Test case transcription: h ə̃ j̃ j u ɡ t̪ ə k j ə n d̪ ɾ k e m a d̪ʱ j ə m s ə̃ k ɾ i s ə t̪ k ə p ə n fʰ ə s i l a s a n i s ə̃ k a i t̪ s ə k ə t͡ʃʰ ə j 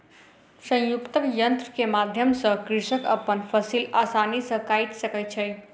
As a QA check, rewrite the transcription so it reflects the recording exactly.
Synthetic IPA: s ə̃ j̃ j u k t̪ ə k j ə n t̪ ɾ k e m a d̪ʱ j ə m s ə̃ k ɾ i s ə k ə p ə n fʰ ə s i l a s a n i s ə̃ k a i t̪ s ə k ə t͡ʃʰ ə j